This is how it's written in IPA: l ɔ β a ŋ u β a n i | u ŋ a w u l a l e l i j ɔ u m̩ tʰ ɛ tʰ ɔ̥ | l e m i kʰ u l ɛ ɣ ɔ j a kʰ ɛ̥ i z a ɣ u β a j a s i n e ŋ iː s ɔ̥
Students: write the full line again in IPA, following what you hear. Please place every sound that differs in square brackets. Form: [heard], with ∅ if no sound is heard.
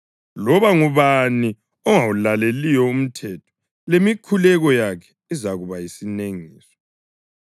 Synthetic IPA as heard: l ɔ β a ŋ u β a n i | [ɔ] ŋ a w u l a l e l i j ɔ u m̩ tʰ ɛ tʰ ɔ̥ | l e m i kʰ u l ɛ ɣ ɔ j a kʰ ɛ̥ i z a ɣ u β a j [i] s i n e ŋ iː s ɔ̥